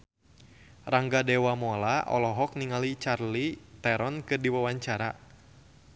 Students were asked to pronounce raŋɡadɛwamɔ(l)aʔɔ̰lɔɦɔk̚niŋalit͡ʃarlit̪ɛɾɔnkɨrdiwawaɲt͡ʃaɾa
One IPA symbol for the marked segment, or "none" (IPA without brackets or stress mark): l